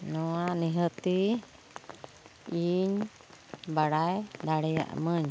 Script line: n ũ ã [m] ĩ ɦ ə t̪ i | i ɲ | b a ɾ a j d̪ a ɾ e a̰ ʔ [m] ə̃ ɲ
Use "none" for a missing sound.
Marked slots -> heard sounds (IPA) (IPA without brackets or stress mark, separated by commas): n, m